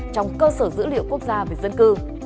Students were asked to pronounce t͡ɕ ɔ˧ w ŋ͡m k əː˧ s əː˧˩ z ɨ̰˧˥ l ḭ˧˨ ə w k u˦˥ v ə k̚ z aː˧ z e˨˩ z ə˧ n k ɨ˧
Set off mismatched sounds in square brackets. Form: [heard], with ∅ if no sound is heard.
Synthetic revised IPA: t͡ɕ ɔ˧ w ŋ͡m k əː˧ s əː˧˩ z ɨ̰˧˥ l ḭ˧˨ ə w k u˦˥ [∅] ə k̚ z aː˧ [v] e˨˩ z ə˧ n k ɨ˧